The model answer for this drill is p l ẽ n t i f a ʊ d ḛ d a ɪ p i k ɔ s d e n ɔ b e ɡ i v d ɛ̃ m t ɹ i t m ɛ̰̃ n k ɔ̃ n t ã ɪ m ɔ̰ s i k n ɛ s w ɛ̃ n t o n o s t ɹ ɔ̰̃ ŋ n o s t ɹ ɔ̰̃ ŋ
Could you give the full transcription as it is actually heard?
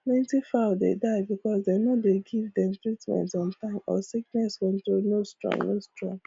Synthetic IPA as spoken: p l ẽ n t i f a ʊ d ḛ d a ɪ b i k ɔ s d e n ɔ d e ɡ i v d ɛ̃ m t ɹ i t m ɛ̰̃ n t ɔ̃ n t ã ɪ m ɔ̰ s i k n ɛ s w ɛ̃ n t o n o s t ɹ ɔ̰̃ ŋ n o s t ɹ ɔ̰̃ ŋ